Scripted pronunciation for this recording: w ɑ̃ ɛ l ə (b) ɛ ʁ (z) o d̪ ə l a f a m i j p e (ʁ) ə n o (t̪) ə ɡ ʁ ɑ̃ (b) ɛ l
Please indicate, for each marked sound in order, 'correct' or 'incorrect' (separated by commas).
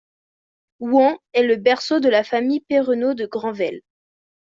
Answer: correct, incorrect, correct, incorrect, incorrect